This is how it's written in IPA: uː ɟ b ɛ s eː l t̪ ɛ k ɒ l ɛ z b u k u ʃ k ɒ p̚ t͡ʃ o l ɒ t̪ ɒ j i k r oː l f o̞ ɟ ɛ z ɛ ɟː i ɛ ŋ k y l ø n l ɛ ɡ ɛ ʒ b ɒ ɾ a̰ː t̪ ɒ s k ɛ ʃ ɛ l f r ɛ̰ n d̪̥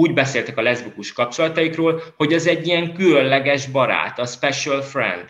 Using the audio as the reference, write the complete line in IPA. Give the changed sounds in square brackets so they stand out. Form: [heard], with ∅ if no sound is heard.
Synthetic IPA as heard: uː ɟ b ɛ s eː l t̪ ɛ k ɒ l ɛ z b u k u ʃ k ɒ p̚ t͡ʃ o l ɒ t̪ ɒ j i k r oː l [h] o̞ ɟ ɛ z ɛ ɟː i ɛ ŋ k y l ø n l ɛ ɡ ɛ ʒ b ɒ ɾ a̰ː t̪ ɒ s [p] ɛ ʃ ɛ l f r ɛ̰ n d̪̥